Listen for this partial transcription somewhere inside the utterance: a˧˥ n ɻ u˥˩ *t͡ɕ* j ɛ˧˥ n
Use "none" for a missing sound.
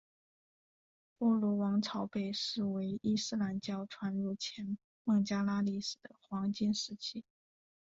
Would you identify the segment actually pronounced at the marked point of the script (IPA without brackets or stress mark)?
t͡ɕʰ